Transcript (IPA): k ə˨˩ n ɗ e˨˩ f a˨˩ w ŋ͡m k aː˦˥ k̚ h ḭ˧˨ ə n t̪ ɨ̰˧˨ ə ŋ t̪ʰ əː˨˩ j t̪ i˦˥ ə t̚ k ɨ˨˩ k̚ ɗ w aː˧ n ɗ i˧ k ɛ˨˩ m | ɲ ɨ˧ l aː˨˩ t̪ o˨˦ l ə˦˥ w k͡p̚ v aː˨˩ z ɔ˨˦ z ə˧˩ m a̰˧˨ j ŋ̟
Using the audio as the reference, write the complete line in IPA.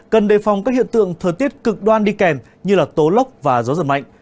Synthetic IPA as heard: k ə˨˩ n ɗ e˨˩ f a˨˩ w ŋ͡m k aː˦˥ k̚ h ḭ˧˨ ə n t̪ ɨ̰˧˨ ə ŋ t̪ʰ əː˨˩ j t̪ i˦˥ ə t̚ k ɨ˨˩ k̚ ɗ w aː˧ n ɗ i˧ k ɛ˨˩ m | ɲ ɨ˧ l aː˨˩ t̪ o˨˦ l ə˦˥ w k͡p̚ v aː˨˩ z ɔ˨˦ z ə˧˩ m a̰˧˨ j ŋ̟